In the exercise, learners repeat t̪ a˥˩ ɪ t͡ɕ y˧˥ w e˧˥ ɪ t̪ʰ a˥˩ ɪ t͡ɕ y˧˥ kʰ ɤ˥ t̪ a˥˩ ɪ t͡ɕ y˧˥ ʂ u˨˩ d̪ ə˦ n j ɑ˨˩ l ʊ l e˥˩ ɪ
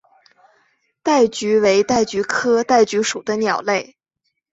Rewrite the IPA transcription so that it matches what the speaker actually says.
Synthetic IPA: t̪ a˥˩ ɪ t͡ɕ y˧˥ w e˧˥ ɪ t̪ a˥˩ ɪ t͡ɕ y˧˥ kʰ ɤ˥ t̪ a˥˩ ɪ t͡ɕ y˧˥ ʂ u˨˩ d̪ ə˦ n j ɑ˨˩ ʊ l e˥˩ ɪ